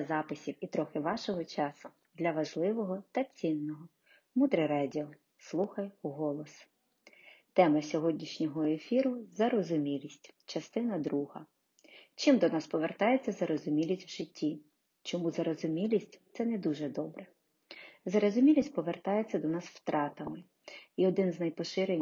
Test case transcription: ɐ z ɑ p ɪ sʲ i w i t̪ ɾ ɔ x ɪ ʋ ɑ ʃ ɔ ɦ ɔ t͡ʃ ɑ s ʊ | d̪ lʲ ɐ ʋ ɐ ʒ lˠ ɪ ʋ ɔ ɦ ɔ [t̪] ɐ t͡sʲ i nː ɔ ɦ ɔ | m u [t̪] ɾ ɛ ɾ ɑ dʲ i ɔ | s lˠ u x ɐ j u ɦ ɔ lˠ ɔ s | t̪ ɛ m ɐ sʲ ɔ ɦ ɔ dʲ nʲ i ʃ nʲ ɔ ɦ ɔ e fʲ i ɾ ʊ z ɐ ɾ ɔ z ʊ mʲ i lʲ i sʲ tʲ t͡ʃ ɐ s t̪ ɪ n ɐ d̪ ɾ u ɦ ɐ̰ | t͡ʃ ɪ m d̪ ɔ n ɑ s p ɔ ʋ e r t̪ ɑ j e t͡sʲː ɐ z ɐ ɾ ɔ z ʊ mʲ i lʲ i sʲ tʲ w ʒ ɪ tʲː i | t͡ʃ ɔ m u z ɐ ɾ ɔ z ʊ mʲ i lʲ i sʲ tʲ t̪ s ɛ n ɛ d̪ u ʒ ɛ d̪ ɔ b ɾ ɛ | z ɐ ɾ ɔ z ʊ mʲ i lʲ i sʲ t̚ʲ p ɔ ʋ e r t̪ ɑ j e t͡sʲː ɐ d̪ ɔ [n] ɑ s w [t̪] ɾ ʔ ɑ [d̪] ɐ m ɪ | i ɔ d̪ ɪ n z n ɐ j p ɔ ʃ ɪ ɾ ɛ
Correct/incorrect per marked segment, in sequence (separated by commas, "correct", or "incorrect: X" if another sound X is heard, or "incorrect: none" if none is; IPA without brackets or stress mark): correct, incorrect: d̪, correct, correct, incorrect: t̪